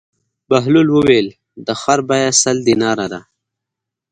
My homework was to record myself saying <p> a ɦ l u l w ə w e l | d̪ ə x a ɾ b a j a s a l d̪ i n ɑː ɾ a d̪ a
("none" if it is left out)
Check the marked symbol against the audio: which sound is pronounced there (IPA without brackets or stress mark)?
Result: b